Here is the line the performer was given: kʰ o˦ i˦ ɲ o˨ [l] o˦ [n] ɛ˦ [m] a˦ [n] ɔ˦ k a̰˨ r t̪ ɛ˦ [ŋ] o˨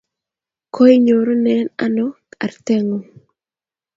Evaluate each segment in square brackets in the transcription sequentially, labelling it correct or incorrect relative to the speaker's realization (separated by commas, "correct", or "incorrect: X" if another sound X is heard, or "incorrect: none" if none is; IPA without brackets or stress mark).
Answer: incorrect: ɾ, correct, incorrect: n, correct, correct